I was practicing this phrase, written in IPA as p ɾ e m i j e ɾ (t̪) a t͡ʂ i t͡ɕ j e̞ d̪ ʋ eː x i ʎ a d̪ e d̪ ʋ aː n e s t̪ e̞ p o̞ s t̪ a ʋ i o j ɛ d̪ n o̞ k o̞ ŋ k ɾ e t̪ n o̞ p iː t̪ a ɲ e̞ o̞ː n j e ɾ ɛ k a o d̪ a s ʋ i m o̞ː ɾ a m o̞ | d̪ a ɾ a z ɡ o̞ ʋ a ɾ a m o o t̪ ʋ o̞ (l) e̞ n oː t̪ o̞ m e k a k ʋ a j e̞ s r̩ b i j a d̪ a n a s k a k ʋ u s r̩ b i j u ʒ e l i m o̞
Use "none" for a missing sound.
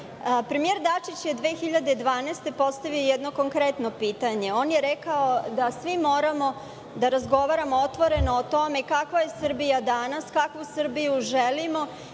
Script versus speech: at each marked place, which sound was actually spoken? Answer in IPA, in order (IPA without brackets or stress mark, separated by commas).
d̪, ɾ